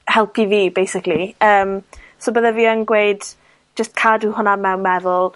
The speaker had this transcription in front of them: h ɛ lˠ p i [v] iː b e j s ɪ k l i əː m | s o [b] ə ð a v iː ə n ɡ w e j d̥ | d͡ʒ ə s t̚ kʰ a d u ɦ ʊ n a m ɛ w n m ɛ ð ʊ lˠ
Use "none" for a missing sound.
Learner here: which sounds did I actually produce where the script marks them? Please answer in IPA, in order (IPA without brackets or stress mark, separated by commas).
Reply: v, b